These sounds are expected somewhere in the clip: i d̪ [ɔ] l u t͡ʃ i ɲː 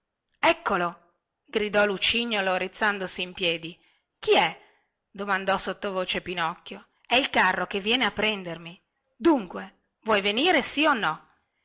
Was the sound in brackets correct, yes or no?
yes